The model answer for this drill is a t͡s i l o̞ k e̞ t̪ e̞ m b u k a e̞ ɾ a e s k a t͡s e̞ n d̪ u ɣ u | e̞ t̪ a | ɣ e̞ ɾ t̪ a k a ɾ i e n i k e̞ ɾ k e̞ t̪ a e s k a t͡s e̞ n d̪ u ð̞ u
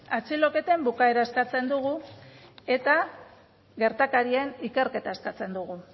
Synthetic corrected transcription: a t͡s i l o̞ k e̞ t̪ e̞ m b u k a e̞ ɾ a e s k a t͡s e̞ n d̪ u ɣ u | e̞ t̪ a | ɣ e̞ ɾ t̪ a k a ɾ i e n i k e̞ ɾ k e̞ t̪ a e s k a t͡s e̞ n d̪ u ɣ̞ u